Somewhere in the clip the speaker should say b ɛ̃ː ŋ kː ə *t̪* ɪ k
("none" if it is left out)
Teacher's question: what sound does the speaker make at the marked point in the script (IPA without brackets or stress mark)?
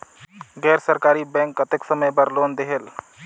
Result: t̪